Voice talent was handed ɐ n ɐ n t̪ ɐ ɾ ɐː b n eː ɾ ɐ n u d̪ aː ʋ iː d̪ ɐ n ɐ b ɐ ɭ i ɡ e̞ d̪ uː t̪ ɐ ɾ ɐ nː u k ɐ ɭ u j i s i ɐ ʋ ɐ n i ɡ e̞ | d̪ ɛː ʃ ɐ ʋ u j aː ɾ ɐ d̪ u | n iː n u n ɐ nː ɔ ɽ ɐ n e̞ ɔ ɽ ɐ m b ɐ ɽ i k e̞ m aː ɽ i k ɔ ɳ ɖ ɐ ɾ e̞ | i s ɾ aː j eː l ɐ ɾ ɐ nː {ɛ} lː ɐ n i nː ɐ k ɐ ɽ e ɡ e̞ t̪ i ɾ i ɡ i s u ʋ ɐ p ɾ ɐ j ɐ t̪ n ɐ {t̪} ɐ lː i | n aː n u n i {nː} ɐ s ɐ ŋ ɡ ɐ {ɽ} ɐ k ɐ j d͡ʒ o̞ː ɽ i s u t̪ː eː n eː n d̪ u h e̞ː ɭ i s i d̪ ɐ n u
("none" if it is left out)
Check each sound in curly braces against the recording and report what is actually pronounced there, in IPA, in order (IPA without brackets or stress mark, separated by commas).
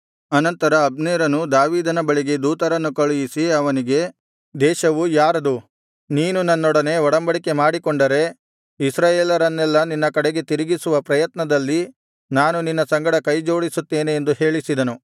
ɛ, d̪, nː, ɽ